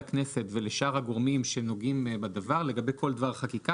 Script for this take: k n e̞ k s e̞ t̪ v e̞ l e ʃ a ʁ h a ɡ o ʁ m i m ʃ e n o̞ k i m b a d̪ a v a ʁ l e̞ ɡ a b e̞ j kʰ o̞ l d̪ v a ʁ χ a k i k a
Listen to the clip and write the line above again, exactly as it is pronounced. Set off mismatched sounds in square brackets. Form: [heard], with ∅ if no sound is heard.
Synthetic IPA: k n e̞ [∅] s e̞ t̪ v e̞ l e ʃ a ʁ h a ɡ o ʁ m i m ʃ e n o̞ [ɡ] i m b a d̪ a v a ʁ l e̞ ɡ a b e̞ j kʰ o̞ l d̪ v a ʁ χ a k i k a